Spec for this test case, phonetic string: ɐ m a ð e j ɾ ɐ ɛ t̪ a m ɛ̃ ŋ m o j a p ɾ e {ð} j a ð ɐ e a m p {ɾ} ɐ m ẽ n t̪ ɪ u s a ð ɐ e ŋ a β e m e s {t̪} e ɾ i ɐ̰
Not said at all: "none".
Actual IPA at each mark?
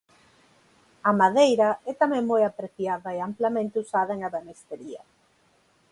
θ, l, t̪

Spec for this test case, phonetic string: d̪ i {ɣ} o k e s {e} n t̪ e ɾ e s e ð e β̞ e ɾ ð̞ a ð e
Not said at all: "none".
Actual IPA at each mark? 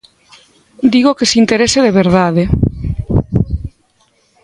ɣ, i

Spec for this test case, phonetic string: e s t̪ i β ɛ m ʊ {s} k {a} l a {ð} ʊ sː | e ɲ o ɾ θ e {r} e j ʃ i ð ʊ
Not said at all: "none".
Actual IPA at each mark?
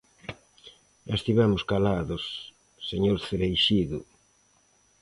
s, a, ð, ɾ

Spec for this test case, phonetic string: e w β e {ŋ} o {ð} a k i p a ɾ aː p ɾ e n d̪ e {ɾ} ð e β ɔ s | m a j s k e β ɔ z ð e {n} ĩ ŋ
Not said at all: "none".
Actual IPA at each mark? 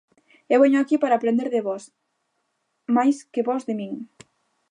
ɲ, none, ɾ, m

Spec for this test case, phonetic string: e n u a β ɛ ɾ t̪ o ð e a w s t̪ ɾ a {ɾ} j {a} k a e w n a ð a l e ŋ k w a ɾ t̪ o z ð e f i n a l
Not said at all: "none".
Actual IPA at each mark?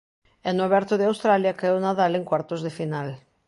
l, a

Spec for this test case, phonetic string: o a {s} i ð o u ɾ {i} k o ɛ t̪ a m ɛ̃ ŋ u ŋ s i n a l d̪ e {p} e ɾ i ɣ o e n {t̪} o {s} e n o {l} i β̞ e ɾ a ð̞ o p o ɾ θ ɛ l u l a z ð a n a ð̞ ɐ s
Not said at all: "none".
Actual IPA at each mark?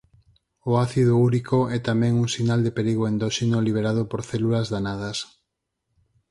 θ, i, p, d̪, ʃ, l

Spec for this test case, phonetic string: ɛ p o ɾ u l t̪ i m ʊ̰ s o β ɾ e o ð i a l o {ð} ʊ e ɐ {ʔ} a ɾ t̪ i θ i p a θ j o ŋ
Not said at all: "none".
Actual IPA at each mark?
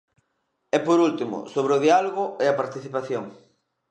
ɣ, p

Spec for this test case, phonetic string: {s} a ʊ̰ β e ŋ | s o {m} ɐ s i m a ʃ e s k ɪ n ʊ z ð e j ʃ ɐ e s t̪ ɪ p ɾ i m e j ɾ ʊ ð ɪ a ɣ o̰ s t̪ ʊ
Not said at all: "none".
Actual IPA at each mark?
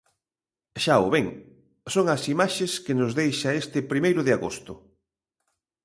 ʃ, ŋ

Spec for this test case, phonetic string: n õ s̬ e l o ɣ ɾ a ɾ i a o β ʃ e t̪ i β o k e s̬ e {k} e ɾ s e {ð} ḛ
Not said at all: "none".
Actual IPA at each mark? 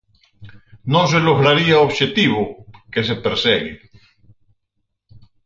p, ɣ

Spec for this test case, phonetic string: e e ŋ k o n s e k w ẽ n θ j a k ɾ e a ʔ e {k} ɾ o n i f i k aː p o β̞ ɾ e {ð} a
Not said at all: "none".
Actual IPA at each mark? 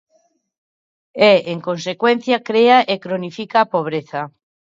k, θ

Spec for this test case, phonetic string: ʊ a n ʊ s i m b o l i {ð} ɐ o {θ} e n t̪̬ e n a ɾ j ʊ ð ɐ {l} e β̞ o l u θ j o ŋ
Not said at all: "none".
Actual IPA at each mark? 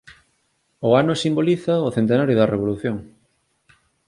θ, θ, r

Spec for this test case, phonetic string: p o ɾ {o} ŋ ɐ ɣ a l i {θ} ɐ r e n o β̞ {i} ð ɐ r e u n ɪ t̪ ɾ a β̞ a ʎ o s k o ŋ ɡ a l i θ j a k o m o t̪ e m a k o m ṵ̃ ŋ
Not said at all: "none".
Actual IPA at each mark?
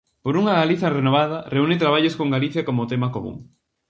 u, θ, a

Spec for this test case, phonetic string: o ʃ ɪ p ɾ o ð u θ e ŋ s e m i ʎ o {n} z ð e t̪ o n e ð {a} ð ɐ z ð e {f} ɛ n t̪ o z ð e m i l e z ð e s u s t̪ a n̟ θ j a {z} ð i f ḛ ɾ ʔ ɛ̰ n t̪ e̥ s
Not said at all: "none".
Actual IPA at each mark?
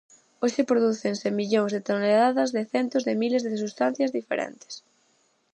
ŋ, a, θ, z

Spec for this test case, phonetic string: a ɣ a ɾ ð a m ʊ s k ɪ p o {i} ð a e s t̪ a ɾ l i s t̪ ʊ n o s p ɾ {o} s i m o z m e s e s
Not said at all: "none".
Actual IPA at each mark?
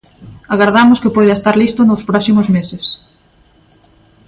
j, ɔ

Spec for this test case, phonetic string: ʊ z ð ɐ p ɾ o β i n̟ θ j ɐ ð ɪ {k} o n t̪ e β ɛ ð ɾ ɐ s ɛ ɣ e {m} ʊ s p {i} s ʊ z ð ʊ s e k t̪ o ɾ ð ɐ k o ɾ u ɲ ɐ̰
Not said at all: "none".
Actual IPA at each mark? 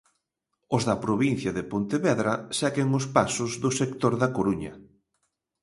p, ŋ, a

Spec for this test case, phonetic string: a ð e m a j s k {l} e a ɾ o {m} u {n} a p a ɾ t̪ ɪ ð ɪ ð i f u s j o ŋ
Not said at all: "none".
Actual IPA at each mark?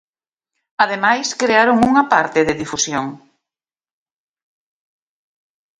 ɾ, ŋ, ŋ

